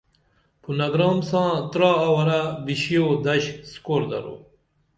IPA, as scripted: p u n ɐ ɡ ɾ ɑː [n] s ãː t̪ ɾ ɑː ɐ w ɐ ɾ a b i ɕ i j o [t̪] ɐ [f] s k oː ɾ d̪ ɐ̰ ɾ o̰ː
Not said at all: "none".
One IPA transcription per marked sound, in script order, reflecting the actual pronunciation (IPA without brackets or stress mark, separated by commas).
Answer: m, d̪, ɕ